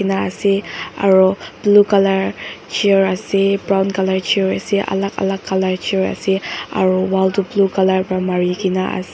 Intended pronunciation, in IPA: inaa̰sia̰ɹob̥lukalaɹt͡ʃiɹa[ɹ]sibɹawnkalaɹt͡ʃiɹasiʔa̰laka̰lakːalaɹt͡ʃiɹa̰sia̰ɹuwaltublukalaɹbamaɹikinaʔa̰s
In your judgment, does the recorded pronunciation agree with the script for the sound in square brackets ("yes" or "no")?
no